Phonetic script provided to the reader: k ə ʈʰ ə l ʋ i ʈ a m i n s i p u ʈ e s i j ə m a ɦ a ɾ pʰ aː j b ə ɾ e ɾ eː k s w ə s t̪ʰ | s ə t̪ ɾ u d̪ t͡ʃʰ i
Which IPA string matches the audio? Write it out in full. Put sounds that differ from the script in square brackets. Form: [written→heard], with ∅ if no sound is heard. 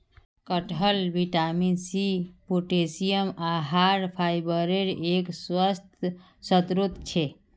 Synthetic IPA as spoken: k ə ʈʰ ə l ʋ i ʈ a m i n s i p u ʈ e s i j ə m a ɦ a ɾ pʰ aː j b ə ɾ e ɾ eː k s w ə s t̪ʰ | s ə t̪ ɾ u [d̪→t̪] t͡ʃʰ [i→e]